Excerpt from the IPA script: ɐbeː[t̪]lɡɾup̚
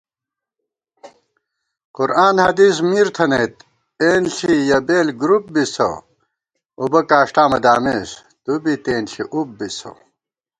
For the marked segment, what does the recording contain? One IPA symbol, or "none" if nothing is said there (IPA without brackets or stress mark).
none